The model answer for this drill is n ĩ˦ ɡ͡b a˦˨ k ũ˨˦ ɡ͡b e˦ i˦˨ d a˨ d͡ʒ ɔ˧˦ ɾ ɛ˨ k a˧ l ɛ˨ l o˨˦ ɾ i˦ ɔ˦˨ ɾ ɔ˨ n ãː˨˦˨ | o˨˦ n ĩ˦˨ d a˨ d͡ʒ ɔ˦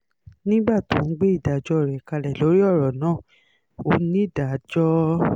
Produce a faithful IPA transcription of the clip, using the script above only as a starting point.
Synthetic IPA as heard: n ĩ˦ ɡ͡b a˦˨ t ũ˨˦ ɡ͡b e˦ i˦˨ d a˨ d͡ʒ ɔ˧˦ ɾ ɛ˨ k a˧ l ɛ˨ l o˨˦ ɾ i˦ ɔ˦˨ ɾ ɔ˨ n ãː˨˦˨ | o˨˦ n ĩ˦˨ d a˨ d͡ʒ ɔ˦